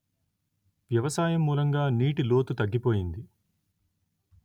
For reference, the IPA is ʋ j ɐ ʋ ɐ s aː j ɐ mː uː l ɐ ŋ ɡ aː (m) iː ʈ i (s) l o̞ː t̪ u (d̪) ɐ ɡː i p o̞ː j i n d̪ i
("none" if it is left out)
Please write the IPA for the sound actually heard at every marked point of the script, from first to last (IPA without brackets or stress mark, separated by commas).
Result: n, none, t̪